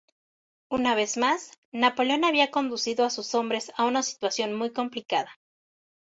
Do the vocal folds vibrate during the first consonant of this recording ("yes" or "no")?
yes